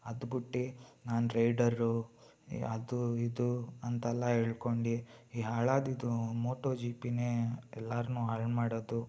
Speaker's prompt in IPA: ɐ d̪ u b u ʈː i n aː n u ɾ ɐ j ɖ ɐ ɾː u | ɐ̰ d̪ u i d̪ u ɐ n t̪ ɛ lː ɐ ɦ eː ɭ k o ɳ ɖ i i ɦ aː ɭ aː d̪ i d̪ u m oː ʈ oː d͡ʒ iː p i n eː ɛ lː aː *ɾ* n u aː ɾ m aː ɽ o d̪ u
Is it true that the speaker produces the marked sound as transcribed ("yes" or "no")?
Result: yes